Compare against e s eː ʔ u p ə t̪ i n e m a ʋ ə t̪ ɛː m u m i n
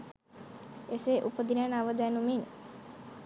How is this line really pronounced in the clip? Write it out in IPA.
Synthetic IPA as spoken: e s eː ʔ u p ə d̪ i n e n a ʋ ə d̪ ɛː n u m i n